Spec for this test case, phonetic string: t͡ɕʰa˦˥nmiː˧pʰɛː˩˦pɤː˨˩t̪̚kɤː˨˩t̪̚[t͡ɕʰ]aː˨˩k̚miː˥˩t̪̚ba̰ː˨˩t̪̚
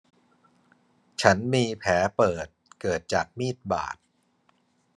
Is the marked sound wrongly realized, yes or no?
yes